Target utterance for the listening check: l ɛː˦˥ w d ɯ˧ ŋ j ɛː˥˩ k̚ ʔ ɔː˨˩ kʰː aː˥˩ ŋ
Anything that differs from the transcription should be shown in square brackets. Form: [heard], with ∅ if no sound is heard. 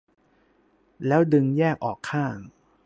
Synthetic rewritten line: l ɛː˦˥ w d ɯ˧ ŋ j ɛː˥˩ k̚ ʔ ɔː˨˩ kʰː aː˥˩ ŋ